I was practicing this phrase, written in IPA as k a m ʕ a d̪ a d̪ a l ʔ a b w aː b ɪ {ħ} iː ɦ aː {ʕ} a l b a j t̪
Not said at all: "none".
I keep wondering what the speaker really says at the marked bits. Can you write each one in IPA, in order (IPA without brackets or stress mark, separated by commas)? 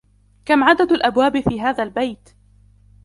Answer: f, ð